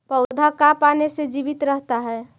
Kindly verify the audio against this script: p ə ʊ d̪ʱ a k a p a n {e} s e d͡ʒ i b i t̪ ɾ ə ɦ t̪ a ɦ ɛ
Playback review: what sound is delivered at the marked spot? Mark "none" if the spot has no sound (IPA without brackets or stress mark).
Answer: e